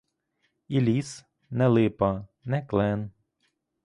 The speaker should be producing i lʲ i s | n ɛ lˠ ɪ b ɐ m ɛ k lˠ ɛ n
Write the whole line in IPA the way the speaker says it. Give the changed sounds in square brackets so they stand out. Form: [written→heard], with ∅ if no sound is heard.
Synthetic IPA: i lʲ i s | n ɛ lˠ ɪ [b→p] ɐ [m→n] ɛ k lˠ ɛ n